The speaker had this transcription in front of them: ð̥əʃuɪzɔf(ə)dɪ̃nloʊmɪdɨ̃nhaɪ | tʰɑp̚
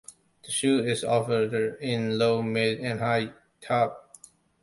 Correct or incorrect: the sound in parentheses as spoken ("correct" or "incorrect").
correct